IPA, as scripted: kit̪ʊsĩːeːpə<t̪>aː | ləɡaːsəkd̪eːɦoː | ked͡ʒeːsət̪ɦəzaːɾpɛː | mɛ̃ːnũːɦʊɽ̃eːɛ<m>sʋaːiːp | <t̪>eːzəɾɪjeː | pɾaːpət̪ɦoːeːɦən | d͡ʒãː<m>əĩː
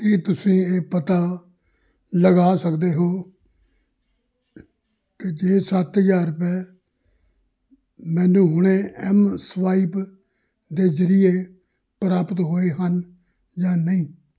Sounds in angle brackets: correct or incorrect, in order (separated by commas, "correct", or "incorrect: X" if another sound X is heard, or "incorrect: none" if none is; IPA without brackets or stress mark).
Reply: correct, correct, incorrect: d̪, incorrect: n